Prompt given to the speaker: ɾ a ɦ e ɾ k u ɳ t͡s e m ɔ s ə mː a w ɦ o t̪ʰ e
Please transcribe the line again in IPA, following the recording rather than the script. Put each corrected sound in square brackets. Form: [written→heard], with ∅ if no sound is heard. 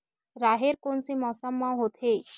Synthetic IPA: ɾ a ɦ e ɾ k [u→o] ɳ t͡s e m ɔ s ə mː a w ɦ o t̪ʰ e